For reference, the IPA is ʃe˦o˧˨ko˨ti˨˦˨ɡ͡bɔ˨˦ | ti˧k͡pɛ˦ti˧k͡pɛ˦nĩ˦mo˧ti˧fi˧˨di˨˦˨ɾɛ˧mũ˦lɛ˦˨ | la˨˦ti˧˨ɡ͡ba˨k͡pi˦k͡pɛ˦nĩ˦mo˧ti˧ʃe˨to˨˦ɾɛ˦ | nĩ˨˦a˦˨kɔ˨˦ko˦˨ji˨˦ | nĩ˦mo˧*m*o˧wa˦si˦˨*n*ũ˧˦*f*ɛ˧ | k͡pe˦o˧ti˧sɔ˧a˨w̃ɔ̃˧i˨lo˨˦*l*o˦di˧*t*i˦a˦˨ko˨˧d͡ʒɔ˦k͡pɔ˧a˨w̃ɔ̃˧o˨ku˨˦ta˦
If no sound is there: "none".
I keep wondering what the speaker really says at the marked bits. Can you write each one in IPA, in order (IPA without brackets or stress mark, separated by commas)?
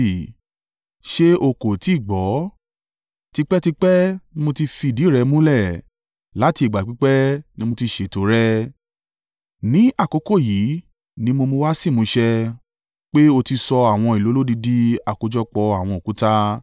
m, m, ʃ, l, d